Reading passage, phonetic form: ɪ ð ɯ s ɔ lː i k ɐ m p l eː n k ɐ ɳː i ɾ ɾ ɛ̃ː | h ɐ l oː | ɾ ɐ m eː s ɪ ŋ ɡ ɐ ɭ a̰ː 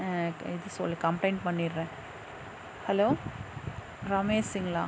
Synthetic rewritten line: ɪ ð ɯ s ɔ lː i k ɐ m p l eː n p ɐ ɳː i ɾ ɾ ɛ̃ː | h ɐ l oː | ɾ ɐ m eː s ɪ ŋ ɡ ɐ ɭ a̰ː